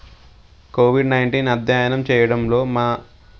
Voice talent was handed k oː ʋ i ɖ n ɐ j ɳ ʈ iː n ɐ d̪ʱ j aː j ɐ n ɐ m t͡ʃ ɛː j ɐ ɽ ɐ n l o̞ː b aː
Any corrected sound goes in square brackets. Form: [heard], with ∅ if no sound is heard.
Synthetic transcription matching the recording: k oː ʋ i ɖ n ɐ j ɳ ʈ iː n ɐ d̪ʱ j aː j ɐ n ɐ m t͡ʃ ɛː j ɐ ɽ ɐ [m] l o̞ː [m] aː

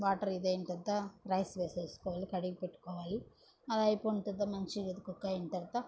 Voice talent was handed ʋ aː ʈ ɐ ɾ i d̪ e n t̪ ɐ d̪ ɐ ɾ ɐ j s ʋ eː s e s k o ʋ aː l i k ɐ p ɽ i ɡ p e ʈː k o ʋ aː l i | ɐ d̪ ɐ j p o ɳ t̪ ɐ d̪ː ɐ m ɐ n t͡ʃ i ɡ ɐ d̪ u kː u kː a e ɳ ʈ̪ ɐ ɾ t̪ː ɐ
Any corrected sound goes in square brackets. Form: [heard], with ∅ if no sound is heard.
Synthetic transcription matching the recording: ʋ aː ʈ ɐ ɾ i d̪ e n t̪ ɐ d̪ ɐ ɾ ɐ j s ʋ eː s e s k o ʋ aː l i k ɐ [∅] ɽ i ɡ p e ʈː k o ʋ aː l i | ɐ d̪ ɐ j p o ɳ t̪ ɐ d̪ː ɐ m ɐ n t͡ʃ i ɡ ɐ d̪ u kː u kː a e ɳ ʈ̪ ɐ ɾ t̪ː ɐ

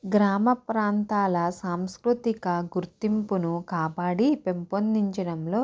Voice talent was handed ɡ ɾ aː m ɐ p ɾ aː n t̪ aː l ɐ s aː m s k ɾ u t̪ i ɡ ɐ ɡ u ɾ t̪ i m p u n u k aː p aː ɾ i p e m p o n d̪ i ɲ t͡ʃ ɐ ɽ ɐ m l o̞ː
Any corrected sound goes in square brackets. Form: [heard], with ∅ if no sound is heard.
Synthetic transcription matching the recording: ɡ ɾ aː m ɐ p ɾ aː n t̪ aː l ɐ s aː m s k ɾ u t̪ i [k] ɐ ɡ u ɾ t̪ i m p u n u k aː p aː [ɽ] i p e m p o n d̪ i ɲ t͡ʃ ɐ ɽ ɐ m l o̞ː

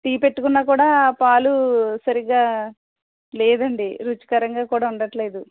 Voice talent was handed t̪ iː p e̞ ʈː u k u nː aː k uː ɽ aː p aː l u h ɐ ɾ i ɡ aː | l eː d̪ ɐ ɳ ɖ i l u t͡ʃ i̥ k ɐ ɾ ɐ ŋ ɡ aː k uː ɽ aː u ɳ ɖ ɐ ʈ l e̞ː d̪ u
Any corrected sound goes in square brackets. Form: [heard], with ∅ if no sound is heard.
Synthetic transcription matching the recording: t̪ iː p e̞ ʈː u k u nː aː k uː ɽ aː p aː l u [s] ɐ ɾ i ɡ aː | l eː d̪ ɐ ɳ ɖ i [ɾ] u t͡ʃ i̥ k ɐ ɾ ɐ ŋ ɡ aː k uː ɽ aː u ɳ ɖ ɐ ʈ l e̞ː d̪ u

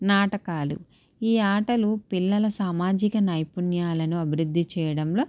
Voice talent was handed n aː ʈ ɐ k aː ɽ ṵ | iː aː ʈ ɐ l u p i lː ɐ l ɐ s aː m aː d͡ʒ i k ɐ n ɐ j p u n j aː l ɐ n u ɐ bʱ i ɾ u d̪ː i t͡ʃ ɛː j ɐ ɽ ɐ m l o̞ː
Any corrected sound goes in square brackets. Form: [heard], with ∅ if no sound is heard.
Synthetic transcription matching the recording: n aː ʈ ɐ k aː [l] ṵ | iː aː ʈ ɐ l u p i lː ɐ l ɐ s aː m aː d͡ʒ i k ɐ n ɐ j p u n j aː l ɐ n u ɐ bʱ i ɾ u d̪ː i t͡ʃ ɛː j ɐ ɽ ɐ m l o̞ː

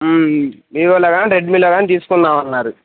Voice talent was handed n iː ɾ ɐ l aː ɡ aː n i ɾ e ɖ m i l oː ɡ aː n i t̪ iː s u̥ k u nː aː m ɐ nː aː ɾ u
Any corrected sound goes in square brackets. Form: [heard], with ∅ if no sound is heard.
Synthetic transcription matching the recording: [m] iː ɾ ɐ l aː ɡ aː n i ɾ e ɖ m i l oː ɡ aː n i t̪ iː s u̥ k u nː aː m ɐ nː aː ɾ u

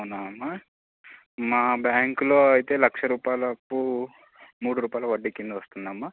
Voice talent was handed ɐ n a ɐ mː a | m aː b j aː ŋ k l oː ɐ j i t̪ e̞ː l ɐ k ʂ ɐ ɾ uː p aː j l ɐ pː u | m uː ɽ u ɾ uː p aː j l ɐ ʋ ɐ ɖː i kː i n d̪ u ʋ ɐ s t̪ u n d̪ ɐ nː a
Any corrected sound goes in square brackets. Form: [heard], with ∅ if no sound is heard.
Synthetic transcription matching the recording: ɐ n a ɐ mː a | m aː b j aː ŋ k l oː ɐ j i t̪ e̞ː l ɐ k ʂ ɐ ɾ uː p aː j l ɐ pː u | m uː ɽ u ɾ uː p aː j l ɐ ʋ ɐ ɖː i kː i n d̪ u ʋ ɐ s t̪ u n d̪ ɐ [mː] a

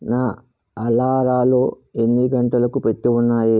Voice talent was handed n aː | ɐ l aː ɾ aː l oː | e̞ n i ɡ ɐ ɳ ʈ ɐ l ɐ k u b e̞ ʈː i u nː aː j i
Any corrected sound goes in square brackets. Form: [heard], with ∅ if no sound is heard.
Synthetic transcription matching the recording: n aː | ɐ l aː ɾ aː l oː | e̞ [nː] i ɡ ɐ ɳ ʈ ɐ l ɐ k u [p] e̞ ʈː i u nː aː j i

